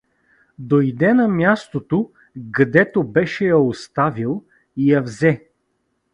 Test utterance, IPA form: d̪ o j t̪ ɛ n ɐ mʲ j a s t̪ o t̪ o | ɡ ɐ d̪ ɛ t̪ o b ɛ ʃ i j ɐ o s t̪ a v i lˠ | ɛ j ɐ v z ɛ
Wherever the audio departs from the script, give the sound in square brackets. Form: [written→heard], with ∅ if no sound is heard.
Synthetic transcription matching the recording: d̪ o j [t̪→d̪] ɛ n ɐ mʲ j a s t̪ o t̪ o | ɡ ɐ d̪ ɛ t̪ o b ɛ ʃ [i→ɛ] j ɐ o s t̪ a v i lˠ | [ɛ→i] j ɐ v z ɛ